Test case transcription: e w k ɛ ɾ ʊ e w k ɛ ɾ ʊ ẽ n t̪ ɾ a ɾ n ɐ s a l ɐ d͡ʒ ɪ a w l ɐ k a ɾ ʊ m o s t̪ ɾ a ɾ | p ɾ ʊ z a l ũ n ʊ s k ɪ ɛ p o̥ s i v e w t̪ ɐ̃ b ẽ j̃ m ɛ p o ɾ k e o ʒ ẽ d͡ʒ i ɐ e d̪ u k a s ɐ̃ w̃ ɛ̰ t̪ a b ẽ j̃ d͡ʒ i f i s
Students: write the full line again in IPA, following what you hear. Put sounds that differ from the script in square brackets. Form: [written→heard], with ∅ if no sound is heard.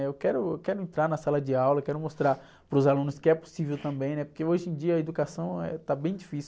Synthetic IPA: e w k ɛ ɾ ʊ e w k ɛ ɾ ʊ ẽ n t̪ ɾ a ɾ n ɐ s a l ɐ d͡ʒ ɪ a w l ɐ k [a→ɛ] ɾ ʊ m o s t̪ ɾ a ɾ | p ɾ ʊ z a l ũ n ʊ s k ɪ ɛ p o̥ s i v e w t̪ ɐ̃ b ẽ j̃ [m→n] ɛ p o ɾ k e o ʒ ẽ d͡ʒ i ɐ e d̪ u k a s ɐ̃ w̃ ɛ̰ t̪ a b ẽ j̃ d͡ʒ i f i s